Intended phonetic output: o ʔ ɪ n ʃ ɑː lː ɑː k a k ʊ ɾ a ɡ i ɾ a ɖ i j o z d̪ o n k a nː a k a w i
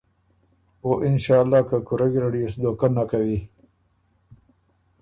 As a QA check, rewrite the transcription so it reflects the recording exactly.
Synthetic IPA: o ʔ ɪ n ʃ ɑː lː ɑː k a k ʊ ɾ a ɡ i ɾ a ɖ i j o s d̪ o k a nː a k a w i